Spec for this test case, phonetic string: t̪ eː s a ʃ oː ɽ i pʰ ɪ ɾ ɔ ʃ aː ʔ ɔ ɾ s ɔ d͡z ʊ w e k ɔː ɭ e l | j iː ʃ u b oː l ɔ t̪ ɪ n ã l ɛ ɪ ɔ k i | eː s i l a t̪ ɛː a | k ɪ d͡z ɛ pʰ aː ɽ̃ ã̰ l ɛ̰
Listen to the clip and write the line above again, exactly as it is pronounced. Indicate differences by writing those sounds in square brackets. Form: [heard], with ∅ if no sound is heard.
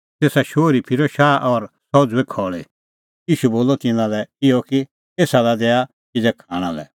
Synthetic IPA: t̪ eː s a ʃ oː [ɾ] i pʰ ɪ ɾ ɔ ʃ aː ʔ ɔ ɾ s ɔ d͡z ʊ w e [kʰ] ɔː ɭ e [∅] | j iː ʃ u b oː l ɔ t̪ ɪ n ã l ɛ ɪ ɔ k i | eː s [a] l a [d̪] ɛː a | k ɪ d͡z ɛ [kʰ] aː ɽ̃ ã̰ l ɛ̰